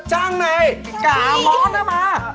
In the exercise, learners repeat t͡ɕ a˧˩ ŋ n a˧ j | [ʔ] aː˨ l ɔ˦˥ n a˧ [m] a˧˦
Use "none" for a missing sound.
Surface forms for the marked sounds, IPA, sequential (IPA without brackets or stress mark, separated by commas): k, m